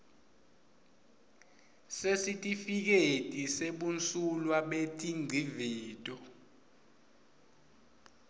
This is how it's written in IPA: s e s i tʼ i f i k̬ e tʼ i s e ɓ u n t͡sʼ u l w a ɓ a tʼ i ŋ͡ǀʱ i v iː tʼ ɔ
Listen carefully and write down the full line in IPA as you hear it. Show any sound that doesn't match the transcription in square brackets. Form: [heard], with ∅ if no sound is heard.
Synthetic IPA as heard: s e s i tʼ i f i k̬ e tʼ i s e ɓ u n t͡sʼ u l w a ɓ [e] tʼ i ŋ͡ǀʱ i v iː tʼ ɔ